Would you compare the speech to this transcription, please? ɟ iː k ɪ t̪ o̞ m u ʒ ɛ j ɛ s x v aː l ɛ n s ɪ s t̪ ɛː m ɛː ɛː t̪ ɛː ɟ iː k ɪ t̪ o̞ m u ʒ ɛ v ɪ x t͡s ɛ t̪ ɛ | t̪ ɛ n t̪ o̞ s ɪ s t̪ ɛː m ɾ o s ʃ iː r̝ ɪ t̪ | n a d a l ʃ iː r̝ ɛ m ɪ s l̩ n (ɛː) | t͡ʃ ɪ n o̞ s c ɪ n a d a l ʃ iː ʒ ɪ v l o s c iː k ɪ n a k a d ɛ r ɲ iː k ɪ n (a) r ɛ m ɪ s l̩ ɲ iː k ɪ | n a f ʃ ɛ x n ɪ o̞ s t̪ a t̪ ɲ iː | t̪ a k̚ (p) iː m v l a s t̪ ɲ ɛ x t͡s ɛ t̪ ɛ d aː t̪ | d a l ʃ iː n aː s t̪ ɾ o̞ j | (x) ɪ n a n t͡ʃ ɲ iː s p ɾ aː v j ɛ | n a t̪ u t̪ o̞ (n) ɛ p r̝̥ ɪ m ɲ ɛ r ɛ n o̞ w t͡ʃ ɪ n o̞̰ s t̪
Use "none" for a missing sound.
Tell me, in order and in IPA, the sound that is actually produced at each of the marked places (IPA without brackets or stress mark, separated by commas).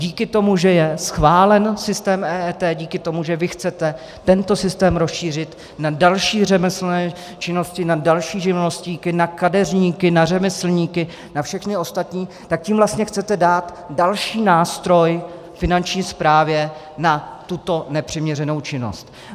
ɛː, a, c, f, n